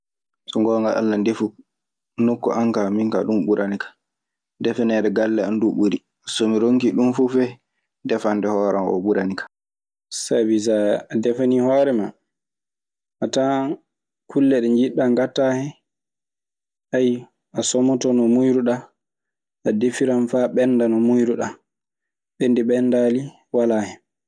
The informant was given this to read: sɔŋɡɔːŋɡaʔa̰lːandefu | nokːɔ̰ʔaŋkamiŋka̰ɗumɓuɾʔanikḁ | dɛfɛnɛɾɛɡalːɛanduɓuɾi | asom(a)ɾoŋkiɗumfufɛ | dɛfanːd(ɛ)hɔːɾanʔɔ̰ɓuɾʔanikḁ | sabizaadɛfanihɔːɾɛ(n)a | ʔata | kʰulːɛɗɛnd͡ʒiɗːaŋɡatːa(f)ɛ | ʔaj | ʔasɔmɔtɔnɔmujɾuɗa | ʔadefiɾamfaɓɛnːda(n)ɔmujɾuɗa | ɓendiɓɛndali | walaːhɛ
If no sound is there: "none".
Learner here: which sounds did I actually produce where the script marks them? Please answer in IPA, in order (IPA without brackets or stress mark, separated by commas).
i, ɛ, m, h, n